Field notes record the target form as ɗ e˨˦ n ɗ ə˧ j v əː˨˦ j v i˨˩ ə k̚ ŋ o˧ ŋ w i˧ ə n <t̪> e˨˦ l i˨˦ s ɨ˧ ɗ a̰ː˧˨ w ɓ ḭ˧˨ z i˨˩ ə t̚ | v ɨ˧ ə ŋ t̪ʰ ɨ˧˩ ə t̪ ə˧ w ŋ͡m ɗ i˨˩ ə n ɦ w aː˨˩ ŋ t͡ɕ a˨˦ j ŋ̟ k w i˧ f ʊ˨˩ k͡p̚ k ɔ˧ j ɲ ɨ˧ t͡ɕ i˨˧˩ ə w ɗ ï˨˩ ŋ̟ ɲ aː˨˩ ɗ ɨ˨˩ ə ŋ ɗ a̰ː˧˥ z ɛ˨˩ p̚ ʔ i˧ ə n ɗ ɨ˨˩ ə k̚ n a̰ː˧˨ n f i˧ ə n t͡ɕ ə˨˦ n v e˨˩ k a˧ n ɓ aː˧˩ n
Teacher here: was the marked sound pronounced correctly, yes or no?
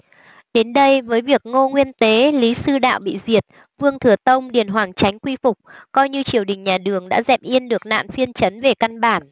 yes